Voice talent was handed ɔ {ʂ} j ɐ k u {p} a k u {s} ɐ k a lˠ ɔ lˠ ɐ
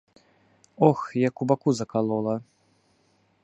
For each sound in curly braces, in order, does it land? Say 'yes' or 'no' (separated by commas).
no, no, no